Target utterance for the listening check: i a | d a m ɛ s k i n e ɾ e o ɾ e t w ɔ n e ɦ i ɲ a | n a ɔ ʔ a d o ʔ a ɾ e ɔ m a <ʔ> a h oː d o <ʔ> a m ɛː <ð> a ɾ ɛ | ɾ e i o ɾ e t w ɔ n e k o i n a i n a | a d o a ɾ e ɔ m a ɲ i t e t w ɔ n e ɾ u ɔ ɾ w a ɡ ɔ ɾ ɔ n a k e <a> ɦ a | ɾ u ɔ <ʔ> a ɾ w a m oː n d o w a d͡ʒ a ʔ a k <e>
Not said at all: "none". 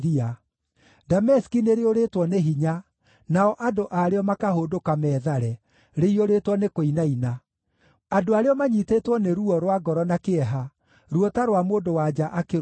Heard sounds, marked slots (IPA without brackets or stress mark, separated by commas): k, k, ð, ɛ, t, e